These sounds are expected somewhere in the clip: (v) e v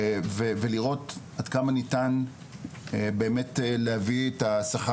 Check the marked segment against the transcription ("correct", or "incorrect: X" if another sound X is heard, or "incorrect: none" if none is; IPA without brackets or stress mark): correct